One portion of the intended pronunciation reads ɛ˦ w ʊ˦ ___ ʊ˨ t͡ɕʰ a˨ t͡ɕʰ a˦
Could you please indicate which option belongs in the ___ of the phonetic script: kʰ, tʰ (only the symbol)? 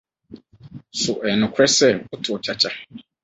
tʰ